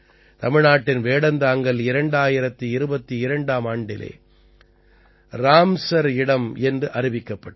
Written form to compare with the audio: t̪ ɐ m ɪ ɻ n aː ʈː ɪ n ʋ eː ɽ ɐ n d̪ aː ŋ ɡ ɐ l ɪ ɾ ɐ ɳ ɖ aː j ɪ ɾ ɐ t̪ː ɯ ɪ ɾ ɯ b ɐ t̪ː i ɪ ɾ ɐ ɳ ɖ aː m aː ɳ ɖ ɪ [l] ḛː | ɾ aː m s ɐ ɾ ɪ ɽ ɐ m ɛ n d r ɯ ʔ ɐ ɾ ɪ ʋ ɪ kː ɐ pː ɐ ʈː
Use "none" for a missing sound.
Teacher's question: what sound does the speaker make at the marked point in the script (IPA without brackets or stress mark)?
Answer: l